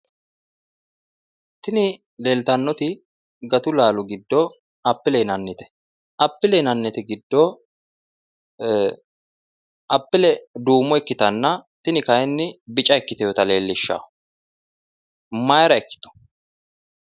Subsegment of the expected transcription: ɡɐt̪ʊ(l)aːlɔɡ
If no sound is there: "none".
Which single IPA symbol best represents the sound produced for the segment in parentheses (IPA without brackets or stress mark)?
l